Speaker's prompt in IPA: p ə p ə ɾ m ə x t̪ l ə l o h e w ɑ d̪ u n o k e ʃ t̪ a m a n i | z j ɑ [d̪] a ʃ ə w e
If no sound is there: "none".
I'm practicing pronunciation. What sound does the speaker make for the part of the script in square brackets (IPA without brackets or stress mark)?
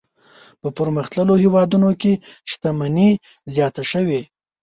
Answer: t̪